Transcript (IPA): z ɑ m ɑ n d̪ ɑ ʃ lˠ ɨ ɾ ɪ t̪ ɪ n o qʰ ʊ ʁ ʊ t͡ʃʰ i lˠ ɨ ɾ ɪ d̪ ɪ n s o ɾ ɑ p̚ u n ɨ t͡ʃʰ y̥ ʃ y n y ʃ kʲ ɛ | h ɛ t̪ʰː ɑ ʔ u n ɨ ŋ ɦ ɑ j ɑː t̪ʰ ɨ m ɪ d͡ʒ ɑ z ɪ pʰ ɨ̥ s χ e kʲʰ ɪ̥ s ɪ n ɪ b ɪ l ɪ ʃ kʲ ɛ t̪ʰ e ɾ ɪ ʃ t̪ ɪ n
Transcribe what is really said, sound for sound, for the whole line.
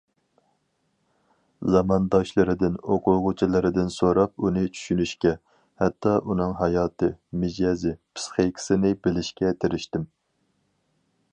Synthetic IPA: z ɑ m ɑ n d̪ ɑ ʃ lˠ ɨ ɾ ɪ d̪ ɪ n o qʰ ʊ ʁ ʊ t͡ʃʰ i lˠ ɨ ɾ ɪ d̪ ɪ n s o ɾ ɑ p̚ u n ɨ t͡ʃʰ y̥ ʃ y n y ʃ kʲ ɛ | h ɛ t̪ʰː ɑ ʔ u n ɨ ŋ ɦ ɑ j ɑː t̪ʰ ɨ m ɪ d͡ʒ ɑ z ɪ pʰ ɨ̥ s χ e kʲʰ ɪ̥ s ɪ n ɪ b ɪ l ɪ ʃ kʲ ɛ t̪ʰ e ɾ ɪ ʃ t̪ ɪ m